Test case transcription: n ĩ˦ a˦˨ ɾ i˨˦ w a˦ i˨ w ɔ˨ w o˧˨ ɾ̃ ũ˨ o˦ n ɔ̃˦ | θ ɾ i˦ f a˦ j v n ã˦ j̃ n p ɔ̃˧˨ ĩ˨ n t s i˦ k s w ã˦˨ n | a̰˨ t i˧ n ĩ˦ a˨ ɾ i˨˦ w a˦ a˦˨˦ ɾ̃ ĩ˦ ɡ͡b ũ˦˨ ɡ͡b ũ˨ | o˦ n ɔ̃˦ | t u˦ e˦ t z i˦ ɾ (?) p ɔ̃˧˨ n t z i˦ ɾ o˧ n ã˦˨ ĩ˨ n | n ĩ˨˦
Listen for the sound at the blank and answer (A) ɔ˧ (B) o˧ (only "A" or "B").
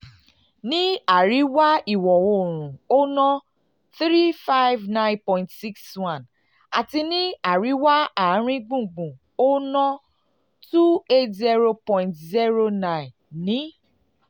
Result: B